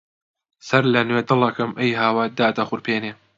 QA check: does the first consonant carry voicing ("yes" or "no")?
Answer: no